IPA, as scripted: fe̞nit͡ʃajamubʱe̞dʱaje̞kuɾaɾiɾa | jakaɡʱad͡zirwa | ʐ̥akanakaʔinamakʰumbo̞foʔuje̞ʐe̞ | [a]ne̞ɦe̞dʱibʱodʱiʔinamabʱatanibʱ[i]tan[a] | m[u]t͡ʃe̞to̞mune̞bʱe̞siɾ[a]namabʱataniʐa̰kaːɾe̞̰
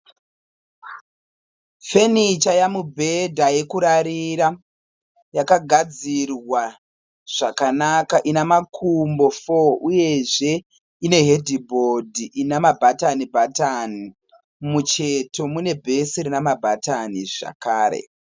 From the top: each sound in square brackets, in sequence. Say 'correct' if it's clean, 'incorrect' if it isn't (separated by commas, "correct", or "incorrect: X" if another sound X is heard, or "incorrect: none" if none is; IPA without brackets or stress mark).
incorrect: i, incorrect: a, incorrect: i, correct, incorrect: i